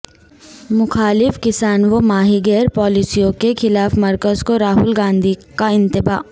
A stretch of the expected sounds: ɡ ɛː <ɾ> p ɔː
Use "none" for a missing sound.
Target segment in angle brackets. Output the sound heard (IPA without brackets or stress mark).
ɾ